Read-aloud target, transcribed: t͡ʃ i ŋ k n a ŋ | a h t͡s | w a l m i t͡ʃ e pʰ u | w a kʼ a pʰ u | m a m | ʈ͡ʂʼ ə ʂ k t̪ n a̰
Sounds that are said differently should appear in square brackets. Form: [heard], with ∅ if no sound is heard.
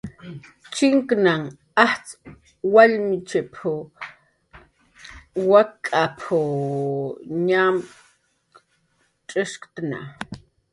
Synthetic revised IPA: t͡ʃ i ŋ k n a ŋ | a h t͡s | w a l m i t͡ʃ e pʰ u | w a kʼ a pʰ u | [ɲ] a m | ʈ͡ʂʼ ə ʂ k t̪ n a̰